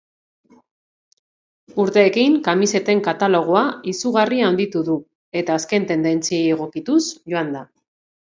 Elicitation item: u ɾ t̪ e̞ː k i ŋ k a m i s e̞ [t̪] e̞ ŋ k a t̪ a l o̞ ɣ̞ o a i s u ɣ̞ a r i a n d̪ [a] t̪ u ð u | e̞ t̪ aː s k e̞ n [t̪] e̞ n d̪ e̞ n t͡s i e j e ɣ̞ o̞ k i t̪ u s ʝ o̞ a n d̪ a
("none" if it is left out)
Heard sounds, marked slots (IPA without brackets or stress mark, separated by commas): t̪, i, t̪